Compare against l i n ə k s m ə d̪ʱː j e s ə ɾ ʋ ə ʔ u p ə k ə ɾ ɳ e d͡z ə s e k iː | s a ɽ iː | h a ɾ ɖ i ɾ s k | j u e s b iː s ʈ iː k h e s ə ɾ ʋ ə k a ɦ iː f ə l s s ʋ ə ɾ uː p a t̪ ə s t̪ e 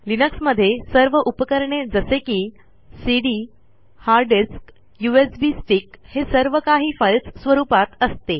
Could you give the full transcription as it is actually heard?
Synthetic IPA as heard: l i n ə k s m ə d̪ʱː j e s ə ɾ ʋ ə ʔ u p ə k ə ɾ ɳ e d͡z ə s e k iː | s i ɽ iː | h a ɾ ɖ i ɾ s k | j u e s b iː s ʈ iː k h e s ə ɾ ʋ ə k a ɦ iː f ə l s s ʋ ə ɾ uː p a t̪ ə s t̪ e